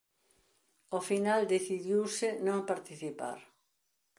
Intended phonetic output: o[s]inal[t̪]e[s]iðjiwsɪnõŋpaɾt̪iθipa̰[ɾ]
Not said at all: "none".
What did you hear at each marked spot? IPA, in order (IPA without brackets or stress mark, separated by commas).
f, d̪, θ, ɾ